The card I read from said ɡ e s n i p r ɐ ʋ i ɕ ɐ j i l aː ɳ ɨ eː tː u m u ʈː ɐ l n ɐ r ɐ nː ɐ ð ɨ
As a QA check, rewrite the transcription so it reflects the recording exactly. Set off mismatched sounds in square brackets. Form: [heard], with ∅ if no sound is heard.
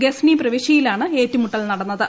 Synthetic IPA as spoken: ɡ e s n i p r ɐ ʋ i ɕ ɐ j i l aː ɳ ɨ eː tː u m u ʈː ɐ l n ɐ [ɽ] ɐ nː ɐ ð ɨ